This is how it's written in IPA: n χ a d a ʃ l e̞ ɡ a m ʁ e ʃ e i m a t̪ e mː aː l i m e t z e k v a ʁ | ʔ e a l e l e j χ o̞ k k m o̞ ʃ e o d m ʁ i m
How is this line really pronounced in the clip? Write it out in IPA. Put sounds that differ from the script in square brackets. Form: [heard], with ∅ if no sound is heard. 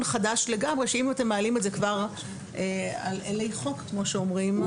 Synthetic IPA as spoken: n χ a d a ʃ l e̞ ɡ a m ʁ e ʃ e i m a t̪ e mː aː l i m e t z e k v a ʁ | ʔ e a l e l e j χ o̞ k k m o̞ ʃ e o [∅] m ʁ i m